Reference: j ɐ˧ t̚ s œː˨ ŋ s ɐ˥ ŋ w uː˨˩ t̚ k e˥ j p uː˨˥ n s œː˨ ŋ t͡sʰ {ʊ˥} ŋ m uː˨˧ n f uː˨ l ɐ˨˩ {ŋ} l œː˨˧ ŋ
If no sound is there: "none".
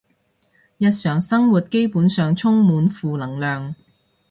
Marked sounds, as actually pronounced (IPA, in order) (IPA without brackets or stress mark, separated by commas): ʊ˥, ŋ